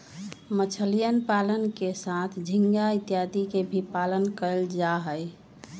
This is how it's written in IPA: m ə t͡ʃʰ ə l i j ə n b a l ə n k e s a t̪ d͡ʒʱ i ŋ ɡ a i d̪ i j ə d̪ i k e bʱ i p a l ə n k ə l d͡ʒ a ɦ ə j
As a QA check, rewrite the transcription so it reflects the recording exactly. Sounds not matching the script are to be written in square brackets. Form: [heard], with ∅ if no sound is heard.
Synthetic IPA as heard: m ə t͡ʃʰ ə l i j ə n [p] a l ə n k e s a [t̪ʰ] d͡ʒʱ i ŋ ɡ a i [t̪] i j [a] d̪ i k e bʱ i p a l ə n k ə l d͡ʒ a ɦ ə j